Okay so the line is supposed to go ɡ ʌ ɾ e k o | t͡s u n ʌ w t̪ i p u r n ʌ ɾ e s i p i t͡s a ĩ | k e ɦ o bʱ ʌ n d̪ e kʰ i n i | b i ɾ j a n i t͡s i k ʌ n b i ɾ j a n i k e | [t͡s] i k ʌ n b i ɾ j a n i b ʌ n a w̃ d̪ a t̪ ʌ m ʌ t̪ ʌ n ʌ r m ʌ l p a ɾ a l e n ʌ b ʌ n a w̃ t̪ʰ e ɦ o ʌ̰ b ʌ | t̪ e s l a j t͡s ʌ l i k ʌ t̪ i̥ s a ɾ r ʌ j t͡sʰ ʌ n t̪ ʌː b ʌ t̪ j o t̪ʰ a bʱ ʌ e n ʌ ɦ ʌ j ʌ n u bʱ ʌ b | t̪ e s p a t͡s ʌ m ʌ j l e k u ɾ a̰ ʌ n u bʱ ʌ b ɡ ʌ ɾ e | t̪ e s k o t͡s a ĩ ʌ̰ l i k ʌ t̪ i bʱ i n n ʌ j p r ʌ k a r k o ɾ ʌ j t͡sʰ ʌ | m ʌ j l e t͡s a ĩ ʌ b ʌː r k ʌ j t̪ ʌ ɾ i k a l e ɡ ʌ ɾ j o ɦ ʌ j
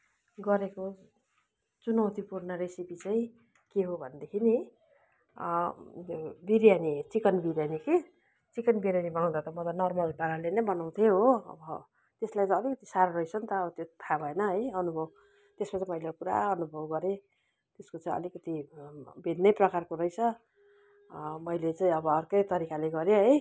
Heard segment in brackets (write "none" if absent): t͡s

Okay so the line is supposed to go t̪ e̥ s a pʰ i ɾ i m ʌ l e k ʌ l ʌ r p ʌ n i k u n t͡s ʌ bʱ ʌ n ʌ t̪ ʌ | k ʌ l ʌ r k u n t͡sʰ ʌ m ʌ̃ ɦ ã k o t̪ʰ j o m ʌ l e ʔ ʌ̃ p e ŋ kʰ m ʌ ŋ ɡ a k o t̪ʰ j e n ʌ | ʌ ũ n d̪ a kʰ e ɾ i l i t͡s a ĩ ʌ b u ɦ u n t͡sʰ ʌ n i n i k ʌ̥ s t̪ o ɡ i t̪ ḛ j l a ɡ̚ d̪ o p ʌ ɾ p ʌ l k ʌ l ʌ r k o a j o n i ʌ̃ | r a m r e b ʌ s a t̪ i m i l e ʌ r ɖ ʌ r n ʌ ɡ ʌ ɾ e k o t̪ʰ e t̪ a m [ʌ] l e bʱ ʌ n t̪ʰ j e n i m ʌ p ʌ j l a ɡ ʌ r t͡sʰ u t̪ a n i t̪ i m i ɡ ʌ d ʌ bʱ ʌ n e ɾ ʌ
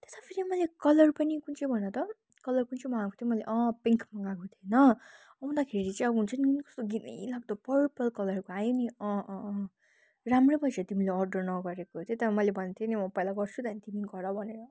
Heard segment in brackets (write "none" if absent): ʌ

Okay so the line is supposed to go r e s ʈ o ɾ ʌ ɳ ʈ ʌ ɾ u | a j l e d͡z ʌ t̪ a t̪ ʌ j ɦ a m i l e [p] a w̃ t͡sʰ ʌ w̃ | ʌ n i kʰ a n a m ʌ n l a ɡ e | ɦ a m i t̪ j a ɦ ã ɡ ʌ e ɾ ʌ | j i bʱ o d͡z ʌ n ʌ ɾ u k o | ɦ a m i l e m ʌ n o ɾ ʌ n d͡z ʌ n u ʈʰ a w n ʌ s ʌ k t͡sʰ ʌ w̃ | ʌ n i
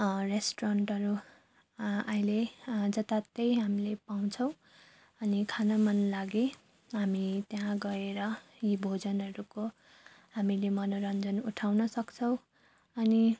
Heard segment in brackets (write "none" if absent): p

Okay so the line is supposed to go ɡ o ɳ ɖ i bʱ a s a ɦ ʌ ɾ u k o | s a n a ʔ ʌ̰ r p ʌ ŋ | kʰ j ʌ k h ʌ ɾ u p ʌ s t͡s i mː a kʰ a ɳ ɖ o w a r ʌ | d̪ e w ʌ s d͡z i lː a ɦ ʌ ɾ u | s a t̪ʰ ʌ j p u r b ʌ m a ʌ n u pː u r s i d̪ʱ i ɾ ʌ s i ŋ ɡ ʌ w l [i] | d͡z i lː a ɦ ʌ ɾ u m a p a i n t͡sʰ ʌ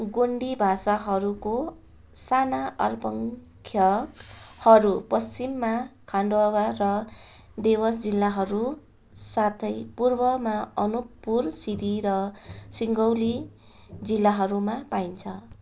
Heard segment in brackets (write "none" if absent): i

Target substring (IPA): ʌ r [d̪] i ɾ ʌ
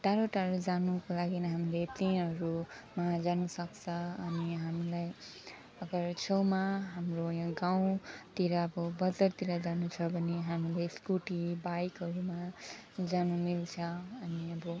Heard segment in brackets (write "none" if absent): t̪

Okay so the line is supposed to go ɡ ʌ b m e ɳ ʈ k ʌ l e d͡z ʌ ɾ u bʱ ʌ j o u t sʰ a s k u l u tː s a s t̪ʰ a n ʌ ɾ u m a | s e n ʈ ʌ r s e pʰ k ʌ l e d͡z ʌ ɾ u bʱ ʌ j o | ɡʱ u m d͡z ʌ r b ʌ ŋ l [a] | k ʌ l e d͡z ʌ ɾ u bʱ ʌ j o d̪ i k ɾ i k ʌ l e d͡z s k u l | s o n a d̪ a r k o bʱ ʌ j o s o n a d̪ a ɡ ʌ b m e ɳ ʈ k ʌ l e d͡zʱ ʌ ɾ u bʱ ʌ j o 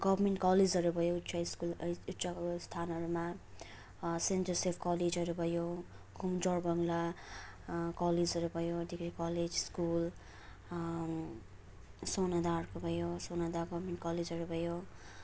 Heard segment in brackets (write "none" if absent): a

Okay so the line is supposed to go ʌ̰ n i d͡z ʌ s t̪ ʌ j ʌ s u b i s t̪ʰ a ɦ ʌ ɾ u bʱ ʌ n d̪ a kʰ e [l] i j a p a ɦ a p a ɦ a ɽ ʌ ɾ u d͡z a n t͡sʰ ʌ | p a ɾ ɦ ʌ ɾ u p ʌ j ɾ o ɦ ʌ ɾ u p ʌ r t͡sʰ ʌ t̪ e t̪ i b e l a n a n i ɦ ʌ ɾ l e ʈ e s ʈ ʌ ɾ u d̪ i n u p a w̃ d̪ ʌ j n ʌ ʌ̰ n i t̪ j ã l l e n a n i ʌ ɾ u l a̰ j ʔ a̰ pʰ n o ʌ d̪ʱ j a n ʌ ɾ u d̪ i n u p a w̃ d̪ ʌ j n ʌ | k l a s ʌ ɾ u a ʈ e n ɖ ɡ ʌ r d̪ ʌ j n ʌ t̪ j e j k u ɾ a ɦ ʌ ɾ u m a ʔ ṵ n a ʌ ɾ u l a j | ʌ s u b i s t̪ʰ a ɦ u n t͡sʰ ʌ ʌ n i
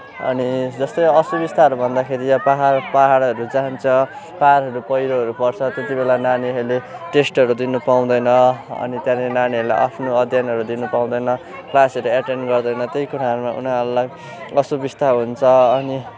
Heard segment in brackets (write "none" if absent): ɾ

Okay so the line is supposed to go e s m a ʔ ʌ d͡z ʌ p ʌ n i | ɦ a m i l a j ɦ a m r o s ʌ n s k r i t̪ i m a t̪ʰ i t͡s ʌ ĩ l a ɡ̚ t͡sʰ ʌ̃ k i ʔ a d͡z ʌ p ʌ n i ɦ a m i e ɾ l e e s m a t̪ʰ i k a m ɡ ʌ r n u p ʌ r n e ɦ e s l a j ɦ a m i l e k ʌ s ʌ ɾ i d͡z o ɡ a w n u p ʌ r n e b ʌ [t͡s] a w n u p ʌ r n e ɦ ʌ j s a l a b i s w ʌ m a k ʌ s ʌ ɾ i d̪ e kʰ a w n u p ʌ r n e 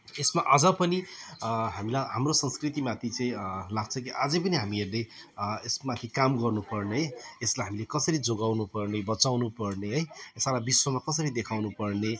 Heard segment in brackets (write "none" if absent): t͡s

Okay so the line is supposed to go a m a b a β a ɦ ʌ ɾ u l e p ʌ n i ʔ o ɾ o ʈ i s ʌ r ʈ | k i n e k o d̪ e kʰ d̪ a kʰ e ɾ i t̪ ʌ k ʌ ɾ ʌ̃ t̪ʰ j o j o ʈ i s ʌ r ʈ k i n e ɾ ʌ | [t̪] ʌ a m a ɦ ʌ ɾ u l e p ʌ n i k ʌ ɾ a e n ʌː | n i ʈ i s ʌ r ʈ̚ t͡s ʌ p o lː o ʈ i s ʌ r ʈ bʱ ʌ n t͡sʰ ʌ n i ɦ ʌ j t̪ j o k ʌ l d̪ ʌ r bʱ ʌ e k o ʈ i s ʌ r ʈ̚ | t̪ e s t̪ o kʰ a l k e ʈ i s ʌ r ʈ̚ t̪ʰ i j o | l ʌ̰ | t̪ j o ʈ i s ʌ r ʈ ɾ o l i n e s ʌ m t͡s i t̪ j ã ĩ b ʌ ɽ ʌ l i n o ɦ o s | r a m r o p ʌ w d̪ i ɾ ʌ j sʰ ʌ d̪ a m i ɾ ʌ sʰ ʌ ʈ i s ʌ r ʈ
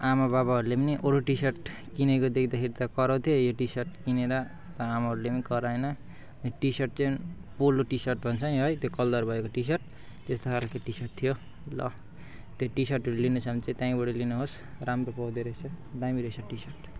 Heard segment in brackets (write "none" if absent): t̪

